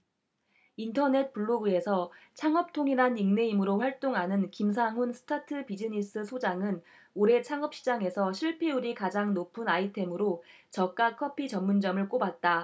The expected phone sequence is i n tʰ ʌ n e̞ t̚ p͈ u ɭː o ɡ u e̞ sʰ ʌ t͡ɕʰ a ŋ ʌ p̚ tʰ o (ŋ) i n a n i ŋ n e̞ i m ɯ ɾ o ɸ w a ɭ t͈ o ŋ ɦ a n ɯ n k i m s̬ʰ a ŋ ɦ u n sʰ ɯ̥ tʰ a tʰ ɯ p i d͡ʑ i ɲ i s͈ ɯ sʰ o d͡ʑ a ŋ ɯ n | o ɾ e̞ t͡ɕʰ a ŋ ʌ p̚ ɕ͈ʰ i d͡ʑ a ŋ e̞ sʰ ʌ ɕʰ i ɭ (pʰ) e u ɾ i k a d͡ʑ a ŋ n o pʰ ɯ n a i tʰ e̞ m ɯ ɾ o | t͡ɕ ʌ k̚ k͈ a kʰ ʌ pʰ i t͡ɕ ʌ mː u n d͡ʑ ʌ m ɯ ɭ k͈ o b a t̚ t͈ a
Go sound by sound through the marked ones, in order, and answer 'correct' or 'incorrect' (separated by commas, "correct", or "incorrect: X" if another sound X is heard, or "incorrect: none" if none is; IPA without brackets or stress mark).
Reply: correct, correct